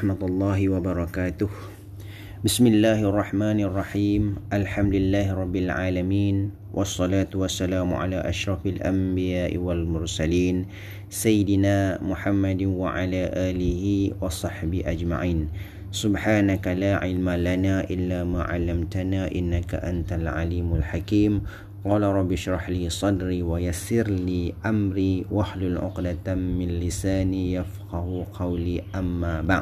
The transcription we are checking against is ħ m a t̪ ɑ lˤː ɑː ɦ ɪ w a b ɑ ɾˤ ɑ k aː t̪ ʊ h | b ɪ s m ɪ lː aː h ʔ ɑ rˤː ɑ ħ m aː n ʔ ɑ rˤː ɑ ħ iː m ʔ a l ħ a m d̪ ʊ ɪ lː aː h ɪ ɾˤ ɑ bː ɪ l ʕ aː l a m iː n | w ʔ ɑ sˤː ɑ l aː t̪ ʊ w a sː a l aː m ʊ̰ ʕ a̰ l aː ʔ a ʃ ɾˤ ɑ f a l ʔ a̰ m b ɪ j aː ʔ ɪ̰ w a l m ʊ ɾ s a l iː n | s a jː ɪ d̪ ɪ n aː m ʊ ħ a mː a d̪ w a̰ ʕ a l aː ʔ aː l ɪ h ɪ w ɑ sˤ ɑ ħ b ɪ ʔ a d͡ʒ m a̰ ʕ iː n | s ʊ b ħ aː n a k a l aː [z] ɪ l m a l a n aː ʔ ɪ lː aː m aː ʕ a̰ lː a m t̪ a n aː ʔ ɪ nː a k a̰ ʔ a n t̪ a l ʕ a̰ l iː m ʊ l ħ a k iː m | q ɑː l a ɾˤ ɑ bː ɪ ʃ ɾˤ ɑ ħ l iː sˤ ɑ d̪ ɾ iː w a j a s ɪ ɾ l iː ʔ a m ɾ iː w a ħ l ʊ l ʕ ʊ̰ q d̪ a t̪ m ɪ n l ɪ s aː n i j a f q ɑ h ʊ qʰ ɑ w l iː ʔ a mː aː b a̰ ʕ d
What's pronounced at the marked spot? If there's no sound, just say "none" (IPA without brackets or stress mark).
ʕ